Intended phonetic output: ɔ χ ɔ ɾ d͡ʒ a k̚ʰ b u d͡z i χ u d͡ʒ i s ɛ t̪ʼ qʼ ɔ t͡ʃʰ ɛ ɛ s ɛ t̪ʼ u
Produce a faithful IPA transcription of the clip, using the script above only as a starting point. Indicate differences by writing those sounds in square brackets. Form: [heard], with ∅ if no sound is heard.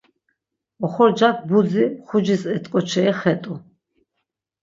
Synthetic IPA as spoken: ɔ χ ɔ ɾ d͡ʒ a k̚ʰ b u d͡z i χ u d͡ʒ i s ɛ t̪ʼ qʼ ɔ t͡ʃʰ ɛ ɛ [χ] ɛ t̪ʼ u